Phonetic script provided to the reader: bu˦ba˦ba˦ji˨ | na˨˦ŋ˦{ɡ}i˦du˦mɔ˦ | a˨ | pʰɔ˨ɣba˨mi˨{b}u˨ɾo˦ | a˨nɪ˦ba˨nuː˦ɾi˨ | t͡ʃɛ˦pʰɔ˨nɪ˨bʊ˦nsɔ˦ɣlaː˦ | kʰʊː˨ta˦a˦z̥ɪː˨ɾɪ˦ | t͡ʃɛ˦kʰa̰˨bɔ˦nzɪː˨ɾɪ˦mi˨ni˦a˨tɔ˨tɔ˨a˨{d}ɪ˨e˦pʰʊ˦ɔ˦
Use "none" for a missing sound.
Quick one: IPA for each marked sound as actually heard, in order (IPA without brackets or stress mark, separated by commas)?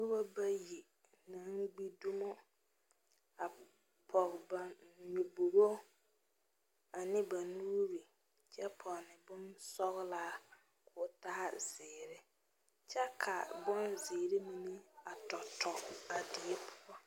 ɡ͡b, b, d